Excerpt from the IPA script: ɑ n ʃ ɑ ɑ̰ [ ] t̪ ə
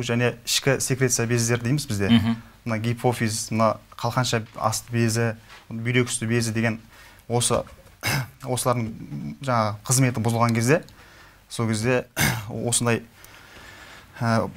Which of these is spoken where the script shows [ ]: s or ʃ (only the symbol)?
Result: s